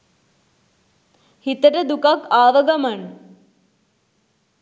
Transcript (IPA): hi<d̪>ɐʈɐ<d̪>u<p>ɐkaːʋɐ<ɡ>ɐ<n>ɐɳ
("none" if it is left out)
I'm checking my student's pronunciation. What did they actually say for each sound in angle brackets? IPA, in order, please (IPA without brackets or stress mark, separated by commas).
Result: t̪, d̪, k, ɡ, m